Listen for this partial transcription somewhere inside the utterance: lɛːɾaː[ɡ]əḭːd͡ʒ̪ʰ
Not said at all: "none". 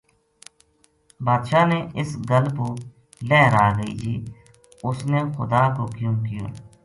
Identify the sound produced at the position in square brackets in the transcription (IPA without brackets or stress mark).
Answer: ɡ